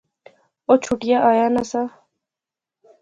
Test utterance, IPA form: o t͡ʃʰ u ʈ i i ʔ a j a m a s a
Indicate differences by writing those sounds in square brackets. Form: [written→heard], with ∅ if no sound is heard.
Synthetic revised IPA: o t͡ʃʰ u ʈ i [i→a] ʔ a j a [m→n] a s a